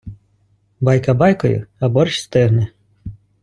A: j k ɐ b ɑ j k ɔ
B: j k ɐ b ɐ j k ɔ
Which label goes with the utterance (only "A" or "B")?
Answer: A